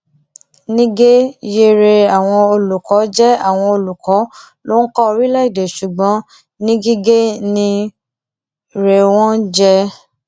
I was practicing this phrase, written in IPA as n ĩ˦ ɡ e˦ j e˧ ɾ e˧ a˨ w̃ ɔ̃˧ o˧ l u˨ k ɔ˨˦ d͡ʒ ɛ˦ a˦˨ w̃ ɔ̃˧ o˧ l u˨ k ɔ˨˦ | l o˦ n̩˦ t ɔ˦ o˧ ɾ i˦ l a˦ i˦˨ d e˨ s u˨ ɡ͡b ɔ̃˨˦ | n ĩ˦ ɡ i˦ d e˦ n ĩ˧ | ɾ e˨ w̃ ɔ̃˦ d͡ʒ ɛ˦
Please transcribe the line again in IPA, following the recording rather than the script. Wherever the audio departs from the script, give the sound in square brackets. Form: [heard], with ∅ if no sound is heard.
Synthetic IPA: n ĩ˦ ɡ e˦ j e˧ ɾ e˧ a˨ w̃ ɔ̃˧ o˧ l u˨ k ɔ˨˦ d͡ʒ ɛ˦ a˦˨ w̃ ɔ̃˧ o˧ l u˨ k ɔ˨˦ | l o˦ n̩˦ [k] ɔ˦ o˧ ɾ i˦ l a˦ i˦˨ d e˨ [ʃ] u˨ ɡ͡b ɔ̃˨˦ | n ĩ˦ ɡ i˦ [ɡ] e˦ n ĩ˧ | ɾ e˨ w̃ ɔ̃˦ d͡ʒ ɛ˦